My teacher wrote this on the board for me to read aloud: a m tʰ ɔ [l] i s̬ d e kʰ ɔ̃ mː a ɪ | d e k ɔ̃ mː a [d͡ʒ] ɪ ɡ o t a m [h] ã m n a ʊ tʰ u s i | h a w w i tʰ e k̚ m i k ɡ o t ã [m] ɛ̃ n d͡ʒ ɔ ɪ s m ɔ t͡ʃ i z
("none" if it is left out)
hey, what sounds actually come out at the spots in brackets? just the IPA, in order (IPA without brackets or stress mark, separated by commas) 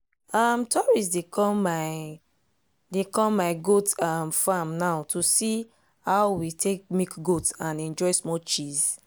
ɹ, none, f, n